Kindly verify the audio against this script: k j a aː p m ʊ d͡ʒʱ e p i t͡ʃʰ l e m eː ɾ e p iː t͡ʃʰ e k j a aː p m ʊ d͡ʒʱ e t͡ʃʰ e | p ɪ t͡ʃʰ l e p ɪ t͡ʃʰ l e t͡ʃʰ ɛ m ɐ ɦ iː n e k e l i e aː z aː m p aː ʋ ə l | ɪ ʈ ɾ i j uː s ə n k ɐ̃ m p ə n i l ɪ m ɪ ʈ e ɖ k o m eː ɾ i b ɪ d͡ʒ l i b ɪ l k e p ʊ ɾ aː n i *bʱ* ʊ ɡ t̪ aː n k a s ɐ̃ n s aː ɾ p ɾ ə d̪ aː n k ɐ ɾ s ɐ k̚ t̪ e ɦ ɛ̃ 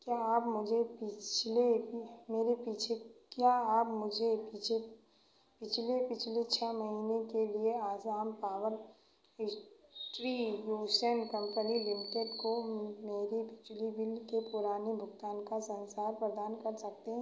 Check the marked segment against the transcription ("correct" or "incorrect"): correct